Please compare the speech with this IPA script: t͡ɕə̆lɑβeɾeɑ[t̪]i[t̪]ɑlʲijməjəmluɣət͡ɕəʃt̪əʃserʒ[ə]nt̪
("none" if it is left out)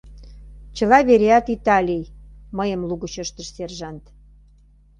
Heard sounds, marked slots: t̪, t̪, ɑ

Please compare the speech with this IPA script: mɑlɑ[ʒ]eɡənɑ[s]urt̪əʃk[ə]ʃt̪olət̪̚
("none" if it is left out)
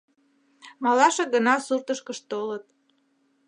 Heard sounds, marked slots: ʃ, s, ə

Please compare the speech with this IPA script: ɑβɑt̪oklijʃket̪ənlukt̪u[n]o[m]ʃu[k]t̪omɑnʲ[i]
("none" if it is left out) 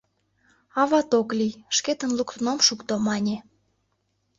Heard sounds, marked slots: n, m, k, e

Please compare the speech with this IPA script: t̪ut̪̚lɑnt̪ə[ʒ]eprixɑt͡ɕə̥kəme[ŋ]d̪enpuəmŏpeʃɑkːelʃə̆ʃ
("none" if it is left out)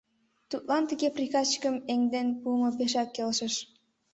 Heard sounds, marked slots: ɣ, ŋ

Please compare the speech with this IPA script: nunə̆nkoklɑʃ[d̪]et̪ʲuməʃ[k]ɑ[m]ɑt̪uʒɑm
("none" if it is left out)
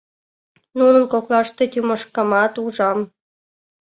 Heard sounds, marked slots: t̪, k, m

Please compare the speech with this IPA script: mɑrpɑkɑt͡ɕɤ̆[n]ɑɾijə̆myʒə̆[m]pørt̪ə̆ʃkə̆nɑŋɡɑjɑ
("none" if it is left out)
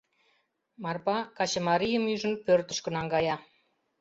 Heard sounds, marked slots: m, n

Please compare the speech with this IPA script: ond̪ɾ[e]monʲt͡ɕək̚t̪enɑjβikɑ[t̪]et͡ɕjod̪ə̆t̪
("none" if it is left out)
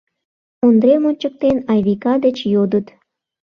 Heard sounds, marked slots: e, d̪

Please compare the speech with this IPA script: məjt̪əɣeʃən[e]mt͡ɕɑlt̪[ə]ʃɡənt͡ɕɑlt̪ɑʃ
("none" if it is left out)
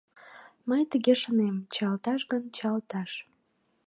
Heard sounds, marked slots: e, ɑ

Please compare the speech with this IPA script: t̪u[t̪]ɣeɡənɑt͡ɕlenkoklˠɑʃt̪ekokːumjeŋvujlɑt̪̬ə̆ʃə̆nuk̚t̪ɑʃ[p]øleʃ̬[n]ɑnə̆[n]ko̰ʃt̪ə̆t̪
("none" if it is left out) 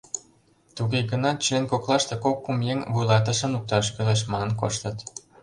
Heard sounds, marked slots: none, k, m, n

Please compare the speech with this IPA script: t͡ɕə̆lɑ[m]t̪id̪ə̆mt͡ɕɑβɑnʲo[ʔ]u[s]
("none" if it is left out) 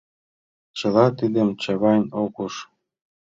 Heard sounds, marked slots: none, k, ʃ

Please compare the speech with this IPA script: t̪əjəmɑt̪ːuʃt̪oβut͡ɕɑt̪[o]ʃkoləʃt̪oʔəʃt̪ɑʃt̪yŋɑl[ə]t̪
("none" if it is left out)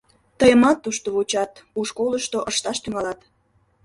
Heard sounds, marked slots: u, ɑ

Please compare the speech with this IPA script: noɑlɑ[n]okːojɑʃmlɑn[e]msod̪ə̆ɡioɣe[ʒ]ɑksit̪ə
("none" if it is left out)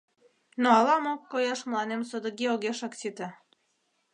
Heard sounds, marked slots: m, e, ʃ

